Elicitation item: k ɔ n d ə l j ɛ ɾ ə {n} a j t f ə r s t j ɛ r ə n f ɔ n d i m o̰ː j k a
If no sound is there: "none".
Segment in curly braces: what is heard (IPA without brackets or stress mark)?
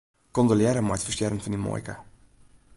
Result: m